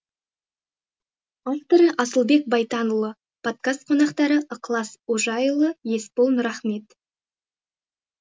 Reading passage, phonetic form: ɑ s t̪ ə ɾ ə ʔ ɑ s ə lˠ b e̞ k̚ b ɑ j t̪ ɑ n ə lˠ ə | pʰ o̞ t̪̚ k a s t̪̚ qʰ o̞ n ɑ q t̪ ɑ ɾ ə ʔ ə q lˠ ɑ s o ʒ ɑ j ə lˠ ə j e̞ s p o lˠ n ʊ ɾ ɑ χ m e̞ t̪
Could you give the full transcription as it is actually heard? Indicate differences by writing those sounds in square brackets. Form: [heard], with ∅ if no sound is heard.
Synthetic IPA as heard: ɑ [f] t̪ ə ɾ ə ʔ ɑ s ə lˠ b e̞ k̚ b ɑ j t̪ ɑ n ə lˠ ə | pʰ o̞ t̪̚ k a s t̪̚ qʰ o̞ n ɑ q t̪ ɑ ɾ ə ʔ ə q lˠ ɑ s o ʒ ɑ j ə lˠ ə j e̞ s p o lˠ n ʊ ɾ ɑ χ m e̞ t̪